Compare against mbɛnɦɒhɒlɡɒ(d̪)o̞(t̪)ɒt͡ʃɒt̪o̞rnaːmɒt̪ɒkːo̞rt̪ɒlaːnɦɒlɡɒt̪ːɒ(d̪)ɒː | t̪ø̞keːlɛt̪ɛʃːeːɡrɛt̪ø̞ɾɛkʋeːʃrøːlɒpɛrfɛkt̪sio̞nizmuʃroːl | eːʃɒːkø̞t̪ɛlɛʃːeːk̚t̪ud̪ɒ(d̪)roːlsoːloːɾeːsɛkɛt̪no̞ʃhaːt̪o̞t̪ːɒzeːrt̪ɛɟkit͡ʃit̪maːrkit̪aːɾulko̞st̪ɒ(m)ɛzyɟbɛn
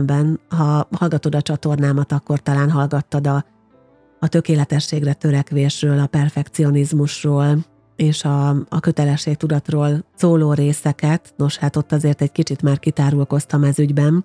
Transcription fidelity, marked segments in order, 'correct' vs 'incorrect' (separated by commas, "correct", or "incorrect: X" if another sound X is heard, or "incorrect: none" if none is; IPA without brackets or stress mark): incorrect: t̪, incorrect: d̪, correct, incorrect: t̪, correct